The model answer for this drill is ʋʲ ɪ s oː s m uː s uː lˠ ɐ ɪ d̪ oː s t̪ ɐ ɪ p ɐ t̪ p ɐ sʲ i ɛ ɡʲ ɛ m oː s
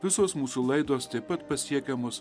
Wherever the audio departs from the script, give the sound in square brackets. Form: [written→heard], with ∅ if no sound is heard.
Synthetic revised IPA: ʋʲ ɪ s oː s m uː s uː lˠ ɐ ɪ d̪ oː s t̪ ɐ ɪ p ɐ t̪ p ɐ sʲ i ɛ [ɡʲ→kʲ] ɛ m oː s